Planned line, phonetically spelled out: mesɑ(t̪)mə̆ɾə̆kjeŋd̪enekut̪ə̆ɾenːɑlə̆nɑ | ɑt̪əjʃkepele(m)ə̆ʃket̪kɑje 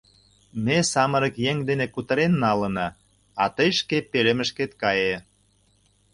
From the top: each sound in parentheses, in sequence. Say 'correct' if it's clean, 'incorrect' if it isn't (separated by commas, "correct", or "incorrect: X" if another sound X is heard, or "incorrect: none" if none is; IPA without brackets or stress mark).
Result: incorrect: none, correct